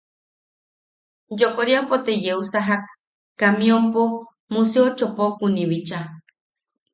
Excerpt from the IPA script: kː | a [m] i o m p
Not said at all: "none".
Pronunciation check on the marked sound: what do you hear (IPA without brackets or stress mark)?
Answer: m